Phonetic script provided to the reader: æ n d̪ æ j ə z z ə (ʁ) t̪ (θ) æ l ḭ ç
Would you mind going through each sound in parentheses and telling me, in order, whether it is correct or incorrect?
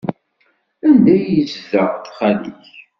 correct, incorrect: χ

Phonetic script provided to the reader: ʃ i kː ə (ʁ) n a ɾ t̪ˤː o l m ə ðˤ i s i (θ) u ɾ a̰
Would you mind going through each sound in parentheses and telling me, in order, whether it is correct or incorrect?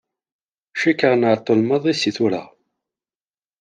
correct, correct

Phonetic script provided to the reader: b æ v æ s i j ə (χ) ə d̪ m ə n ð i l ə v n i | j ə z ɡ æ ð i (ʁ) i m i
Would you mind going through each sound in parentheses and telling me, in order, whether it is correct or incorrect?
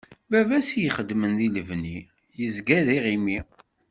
correct, correct

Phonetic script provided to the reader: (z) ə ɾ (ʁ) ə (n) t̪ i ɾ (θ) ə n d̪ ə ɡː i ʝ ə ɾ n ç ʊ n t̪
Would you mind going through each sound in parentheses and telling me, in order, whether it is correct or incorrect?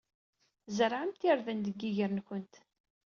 correct, incorrect: ʕ, incorrect: m, incorrect: ð

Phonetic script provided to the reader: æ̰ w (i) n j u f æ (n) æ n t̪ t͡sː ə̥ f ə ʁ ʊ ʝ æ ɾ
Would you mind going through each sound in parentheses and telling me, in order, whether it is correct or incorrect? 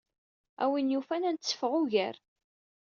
correct, correct

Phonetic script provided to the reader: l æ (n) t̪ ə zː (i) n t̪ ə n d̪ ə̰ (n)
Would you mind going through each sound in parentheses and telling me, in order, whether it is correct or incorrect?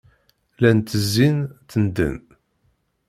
correct, correct, correct

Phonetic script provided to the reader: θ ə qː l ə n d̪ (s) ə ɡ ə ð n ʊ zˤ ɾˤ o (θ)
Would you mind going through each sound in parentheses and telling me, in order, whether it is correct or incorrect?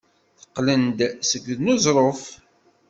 correct, incorrect: f

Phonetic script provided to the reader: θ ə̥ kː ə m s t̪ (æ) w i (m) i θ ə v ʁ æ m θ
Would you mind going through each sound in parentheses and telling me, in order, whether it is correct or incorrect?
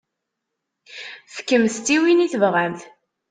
incorrect: i, incorrect: n

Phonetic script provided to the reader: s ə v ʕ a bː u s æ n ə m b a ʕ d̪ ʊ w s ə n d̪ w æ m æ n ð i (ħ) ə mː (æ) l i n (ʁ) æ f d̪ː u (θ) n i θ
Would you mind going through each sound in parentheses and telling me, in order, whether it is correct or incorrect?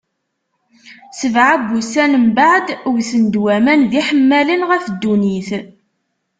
correct, correct, correct, incorrect: none

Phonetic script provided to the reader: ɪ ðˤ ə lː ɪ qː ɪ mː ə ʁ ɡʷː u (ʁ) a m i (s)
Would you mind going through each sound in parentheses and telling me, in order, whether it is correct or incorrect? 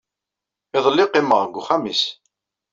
incorrect: χ, correct

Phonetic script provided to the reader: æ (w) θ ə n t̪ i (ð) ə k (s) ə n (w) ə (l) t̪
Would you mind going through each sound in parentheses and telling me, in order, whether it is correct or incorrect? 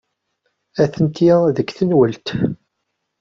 incorrect: none, correct, incorrect: θ, correct, correct

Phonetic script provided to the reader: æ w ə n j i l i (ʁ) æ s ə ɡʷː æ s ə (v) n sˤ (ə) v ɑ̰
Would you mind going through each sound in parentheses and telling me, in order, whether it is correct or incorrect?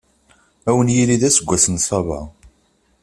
incorrect: ð, incorrect: none, incorrect: ɑ

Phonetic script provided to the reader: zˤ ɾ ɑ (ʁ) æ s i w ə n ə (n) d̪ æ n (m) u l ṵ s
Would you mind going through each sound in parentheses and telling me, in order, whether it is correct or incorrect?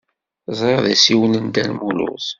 incorrect: ð, correct, correct

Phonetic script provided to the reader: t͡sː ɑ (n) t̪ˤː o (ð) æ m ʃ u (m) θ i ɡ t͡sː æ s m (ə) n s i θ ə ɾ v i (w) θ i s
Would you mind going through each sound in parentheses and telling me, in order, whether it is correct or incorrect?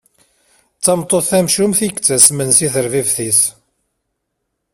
incorrect: m, incorrect: θ, correct, correct, incorrect: v

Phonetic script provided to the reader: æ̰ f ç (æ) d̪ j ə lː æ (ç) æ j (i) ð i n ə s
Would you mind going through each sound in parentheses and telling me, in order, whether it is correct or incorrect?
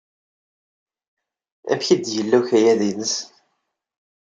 incorrect: i, correct, incorrect: æ

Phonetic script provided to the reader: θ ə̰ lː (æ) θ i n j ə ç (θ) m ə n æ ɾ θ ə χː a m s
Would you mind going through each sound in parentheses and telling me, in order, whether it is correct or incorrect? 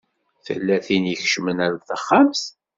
correct, incorrect: ʃ

